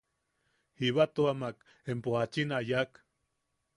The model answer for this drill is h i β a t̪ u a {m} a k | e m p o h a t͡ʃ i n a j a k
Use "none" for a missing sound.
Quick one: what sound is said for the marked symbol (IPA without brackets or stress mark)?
m